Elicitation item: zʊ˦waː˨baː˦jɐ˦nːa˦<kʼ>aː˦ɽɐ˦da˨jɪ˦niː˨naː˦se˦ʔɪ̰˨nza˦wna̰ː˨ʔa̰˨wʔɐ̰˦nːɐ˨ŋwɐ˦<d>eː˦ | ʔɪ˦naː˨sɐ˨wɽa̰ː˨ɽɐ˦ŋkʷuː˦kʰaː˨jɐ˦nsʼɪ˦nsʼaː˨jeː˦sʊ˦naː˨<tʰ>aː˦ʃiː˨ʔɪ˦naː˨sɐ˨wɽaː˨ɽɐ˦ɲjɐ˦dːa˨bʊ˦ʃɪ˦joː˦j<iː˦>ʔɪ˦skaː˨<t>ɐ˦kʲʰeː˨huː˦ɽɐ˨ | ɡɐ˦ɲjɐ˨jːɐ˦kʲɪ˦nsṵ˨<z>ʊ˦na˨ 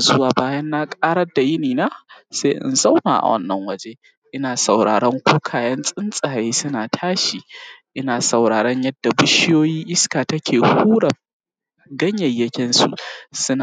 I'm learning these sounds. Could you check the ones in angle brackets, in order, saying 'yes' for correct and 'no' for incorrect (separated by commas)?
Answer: yes, no, yes, yes, yes, no